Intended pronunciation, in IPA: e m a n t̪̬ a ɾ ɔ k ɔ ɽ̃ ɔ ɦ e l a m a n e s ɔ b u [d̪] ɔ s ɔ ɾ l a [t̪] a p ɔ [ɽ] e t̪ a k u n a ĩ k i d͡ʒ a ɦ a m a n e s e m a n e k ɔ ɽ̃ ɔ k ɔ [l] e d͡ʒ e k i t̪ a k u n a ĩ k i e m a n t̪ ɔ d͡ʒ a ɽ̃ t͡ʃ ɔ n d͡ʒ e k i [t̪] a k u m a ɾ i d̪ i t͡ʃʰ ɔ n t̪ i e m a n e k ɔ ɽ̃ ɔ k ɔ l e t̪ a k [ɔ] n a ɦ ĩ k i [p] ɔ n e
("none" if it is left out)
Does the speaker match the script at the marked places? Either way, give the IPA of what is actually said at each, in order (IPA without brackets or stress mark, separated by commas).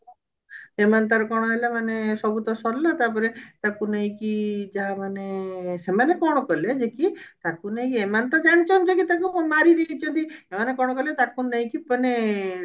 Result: t̪, t̪, ɾ, l, t̪, u, p